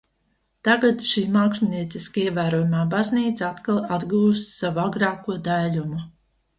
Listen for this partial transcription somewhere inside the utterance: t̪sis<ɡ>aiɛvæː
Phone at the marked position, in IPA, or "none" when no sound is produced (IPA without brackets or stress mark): k